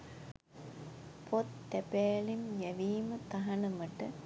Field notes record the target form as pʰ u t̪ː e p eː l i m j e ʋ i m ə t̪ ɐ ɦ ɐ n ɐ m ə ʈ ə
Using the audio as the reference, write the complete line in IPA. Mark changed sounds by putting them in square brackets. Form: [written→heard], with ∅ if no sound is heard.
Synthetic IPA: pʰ [u→o] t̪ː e p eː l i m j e ʋ [i→iː] m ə t̪ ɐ ɦ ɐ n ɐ m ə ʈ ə